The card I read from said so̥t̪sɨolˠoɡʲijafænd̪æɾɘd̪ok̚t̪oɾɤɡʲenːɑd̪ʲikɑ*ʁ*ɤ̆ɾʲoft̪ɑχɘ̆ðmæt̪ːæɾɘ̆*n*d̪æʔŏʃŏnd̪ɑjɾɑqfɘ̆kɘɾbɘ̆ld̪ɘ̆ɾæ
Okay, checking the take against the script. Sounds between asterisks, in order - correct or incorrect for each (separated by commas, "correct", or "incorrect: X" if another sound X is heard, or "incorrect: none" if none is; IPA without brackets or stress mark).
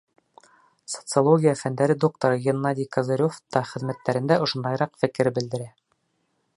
incorrect: z, correct